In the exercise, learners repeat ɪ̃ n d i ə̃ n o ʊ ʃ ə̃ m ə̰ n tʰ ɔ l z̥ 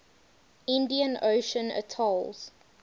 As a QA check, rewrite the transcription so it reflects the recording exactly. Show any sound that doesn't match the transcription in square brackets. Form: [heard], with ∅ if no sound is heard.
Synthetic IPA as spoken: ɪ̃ n d i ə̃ n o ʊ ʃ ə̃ [n] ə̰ [∅] tʰ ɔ l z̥